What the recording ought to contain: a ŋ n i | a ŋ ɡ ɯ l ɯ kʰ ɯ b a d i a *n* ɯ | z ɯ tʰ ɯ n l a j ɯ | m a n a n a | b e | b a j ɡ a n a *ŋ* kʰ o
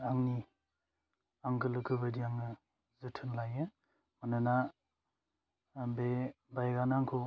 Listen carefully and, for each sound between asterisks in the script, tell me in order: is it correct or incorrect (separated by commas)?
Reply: incorrect, correct